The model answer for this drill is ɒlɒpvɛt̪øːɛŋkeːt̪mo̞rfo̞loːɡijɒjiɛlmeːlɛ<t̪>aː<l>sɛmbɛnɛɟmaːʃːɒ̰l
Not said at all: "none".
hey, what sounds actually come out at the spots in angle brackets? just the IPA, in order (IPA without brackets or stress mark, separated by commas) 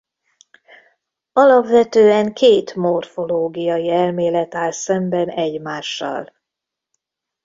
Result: t̪, l